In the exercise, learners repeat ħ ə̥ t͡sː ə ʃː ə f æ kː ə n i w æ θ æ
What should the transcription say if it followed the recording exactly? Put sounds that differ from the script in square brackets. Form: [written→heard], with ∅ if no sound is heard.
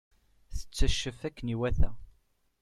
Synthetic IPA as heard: [ħ→θ] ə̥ t͡sː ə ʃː ə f æ kː ə n i w æ θ æ